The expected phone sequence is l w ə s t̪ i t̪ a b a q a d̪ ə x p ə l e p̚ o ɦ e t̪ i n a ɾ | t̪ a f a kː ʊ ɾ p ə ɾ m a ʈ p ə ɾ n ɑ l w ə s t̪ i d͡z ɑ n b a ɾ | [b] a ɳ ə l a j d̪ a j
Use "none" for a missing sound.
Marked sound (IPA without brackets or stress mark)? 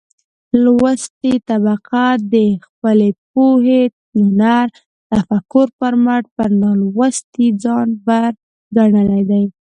ɡ